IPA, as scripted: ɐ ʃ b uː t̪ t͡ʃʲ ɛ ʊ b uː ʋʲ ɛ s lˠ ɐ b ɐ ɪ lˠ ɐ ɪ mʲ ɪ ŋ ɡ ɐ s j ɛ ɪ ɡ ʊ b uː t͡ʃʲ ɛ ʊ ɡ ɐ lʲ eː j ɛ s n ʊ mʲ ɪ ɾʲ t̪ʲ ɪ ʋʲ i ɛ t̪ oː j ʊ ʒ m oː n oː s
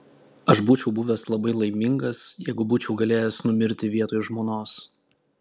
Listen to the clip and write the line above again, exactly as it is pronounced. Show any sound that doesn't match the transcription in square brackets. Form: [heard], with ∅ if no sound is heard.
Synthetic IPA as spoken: ɐ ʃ b uː [∅] t͡ʃʲ ɛ ʊ b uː ʋʲ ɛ s lˠ ɐ b ɐ ɪ lˠ ɐ ɪ mʲ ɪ ŋ ɡ ɐ s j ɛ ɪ ɡ ʊ b uː t͡ʃʲ ɛ ʊ ɡ ɐ lʲ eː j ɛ s n ʊ mʲ ɪ ɾʲ t̪ʲ ɪ ʋʲ i ɛ t̪ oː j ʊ ʒ m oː n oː s

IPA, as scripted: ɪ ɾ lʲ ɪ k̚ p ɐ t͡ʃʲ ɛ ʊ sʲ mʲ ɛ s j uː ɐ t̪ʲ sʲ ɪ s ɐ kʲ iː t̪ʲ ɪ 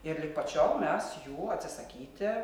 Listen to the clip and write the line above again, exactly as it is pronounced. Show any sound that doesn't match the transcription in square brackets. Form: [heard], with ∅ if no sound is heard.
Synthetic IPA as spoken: ɪ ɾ lʲ ɪ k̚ p ɐ t͡ʃʲ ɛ ʊ [∅] mʲ ɛ s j uː ɐ t̪ʲ sʲ ɪ s ɐ kʲ iː t̪ʲ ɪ

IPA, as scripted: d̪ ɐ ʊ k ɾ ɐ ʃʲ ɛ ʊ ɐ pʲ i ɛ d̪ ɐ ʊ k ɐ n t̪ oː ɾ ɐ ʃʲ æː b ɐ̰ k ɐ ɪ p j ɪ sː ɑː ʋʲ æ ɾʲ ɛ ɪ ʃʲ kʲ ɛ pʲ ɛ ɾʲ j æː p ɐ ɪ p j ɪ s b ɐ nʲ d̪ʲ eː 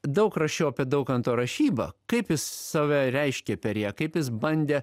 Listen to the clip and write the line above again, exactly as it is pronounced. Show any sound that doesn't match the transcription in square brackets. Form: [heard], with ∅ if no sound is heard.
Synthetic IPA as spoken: d̪ ɐ ʊ k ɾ ɐ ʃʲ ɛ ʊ ɐ pʲ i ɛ d̪ ɐ ʊ k ɐ n t̪ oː ɾ ɐ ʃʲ [iː] b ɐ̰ k ɐ ɪ p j ɪ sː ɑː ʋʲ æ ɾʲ ɛ ɪ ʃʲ kʲ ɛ pʲ ɛ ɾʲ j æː [k] ɐ ɪ p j ɪ s b ɐ nʲ d̪ʲ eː

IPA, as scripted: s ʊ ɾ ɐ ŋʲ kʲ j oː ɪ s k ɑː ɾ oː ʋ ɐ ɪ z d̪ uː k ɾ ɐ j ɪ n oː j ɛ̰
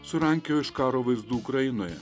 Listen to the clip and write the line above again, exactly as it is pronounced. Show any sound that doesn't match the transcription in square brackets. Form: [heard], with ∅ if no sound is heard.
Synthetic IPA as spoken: s ʊ ɾ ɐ ŋʲ kʲ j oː ɪ [ʃ] k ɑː ɾ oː ʋ ɐ ɪ z d̪ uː k ɾ ɐ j ɪ n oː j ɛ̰

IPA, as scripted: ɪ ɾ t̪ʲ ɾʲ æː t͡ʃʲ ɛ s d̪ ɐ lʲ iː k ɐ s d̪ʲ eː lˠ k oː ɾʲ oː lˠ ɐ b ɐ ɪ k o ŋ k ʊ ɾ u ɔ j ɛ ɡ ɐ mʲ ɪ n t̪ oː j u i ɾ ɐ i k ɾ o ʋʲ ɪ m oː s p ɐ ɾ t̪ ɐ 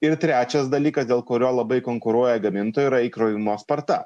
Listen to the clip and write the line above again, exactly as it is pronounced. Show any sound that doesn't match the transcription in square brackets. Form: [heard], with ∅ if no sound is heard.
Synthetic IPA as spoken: ɪ ɾ t̪ʲ ɾʲ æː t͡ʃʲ ɛ s d̪ ɐ lʲ iː k ɐ s d̪ʲ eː lˠ k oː ɾʲ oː lˠ ɐ b ɐ ɪ k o ŋ k ʊ ɾ u ɔ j ɛ ɡ ɐ mʲ ɪ n t̪ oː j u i ɾ ɐ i k ɾ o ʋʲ ɪ m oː s p ɐ ɾ t̪ ɐ

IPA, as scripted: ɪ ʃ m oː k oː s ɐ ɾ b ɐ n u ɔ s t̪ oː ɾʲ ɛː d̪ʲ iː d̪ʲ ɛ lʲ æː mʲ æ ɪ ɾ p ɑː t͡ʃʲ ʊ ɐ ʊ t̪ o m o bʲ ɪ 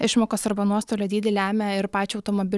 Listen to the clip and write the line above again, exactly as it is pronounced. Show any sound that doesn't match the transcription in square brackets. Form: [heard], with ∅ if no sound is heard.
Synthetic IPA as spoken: ɪ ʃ m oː k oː s ɐ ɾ b ɐ n u ɔ s t̪ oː [lʲ] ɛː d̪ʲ iː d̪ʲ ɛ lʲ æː mʲ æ ɪ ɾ p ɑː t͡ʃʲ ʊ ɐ ʊ t̪ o m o bʲ ɪ

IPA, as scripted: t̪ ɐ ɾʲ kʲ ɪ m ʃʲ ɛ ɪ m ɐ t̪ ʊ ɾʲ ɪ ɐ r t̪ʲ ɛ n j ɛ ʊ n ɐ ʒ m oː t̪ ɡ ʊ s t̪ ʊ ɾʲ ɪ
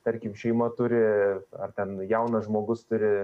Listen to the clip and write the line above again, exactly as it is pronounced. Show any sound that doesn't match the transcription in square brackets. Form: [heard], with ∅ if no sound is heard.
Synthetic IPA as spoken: t̪ ɐ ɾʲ kʲ ɪ m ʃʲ ɛ ɪ m ɐ t̪ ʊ ɾʲ ɪ ɐ r t̪ʲ ɛ n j ɛ ʊ n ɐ ʒ m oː [∅] ɡ ʊ s t̪ ʊ ɾʲ ɪ

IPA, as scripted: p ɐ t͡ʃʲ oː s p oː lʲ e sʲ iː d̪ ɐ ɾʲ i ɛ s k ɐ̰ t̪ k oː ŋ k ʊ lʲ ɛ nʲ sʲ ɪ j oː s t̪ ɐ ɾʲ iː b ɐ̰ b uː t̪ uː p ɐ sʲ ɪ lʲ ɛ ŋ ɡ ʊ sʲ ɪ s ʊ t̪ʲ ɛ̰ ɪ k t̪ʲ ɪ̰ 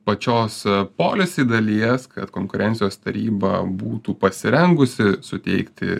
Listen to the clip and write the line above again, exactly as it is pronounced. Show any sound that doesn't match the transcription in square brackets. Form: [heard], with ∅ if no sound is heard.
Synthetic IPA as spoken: p ɐ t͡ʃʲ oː s p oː lʲ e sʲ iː d̪ ɐ [lʲ] i ɛ s k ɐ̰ t̪ k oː ŋ k ʊ [ɾʲ] ɛ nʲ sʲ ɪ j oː s t̪ ɐ ɾʲ iː b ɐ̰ b uː t̪ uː p ɐ sʲ ɪ [ɾʲ] ɛ ŋ ɡ ʊ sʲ ɪ s ʊ t̪ʲ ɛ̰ ɪ k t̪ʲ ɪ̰

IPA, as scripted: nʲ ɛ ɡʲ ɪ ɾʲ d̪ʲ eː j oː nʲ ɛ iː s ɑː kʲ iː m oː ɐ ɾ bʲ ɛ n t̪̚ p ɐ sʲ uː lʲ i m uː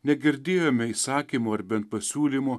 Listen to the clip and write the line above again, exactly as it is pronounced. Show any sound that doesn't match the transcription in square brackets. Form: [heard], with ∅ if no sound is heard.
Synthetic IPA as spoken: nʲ ɛ ɡʲ ɪ ɾʲ d̪ʲ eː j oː [mʲ] ɛ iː s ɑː kʲ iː m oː ɐ ɾ bʲ ɛ n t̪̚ p ɐ sʲ uː lʲ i m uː

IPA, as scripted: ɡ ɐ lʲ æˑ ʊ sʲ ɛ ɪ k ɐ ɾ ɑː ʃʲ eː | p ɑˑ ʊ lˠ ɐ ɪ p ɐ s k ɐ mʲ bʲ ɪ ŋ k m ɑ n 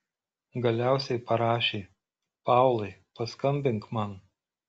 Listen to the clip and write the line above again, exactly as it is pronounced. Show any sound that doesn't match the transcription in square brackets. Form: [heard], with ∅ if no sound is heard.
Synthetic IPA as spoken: ɡ ɐ lʲ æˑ ʊ sʲ ɛ ɪ [p] ɐ ɾ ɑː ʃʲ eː | p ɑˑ ʊ lˠ ɐ ɪ p ɐ s k ɐ mʲ bʲ ɪ ŋ k m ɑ n

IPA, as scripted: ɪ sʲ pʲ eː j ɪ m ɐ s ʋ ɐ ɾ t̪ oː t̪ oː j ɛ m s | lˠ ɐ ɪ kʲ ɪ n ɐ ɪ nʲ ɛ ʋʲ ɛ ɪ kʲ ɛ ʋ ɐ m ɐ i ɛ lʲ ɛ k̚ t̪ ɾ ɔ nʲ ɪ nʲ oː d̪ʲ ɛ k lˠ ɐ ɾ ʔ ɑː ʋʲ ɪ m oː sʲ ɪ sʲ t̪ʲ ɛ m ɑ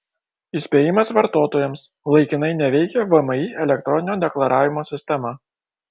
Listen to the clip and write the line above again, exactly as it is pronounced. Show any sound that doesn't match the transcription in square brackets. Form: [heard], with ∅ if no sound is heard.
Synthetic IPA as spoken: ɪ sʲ pʲ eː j ɪ m ɐ s ʋ ɐ ɾ t̪ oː t̪ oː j ɛ m s | lˠ ɐ ɪ kʲ ɪ n ɐ ɪ nʲ ɛ ʋʲ ɛ ɪ kʲ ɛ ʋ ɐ m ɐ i ɛ lʲ ɛ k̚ t̪ ɾ ɔ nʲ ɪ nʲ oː d̪ʲ ɛ k lˠ ɐ ɾ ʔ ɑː ʋʲ ɪ m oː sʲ ɪ sʲ t̪ʲ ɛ m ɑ

